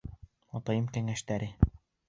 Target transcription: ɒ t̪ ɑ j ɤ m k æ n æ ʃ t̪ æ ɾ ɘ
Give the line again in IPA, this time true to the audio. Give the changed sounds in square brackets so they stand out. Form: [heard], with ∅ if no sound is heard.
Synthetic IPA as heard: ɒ t̪ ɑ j ɤ m k æ [ŋ] æ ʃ t̪ æ ɾ ɘ